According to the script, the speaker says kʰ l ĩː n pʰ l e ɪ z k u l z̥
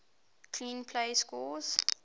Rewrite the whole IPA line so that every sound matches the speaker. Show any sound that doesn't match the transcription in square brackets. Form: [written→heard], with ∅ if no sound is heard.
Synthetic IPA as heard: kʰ l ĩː n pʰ l e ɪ [z→s] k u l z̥